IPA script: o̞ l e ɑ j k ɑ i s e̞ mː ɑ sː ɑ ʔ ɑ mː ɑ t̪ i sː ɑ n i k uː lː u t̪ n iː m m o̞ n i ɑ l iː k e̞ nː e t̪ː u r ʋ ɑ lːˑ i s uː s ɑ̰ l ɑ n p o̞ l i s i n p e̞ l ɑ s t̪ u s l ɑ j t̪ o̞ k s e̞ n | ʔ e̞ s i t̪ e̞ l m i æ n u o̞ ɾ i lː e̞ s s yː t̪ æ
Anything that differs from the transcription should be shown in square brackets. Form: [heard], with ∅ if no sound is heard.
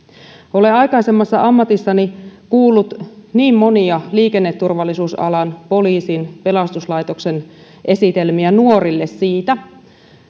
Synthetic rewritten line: o̞ l e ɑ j k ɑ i s e̞ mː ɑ sː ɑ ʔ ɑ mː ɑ t̪ i sː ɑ n i k uː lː u t̪ n iː m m o̞ n i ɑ l iː k e̞ nː e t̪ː u r ʋ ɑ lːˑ i s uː s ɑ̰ l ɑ n p o̞ l [iː] s i n p e̞ l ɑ s t̪ u s l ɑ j t̪ o̞ k s e̞ n | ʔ e̞ s i t̪ e̞ l m i æ n u o̞ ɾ i lː e̞ s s [iː] t̪ æ